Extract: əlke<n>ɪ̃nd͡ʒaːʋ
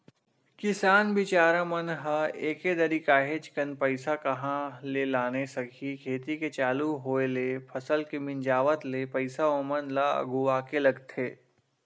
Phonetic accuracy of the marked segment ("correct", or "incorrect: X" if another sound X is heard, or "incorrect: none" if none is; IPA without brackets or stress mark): incorrect: m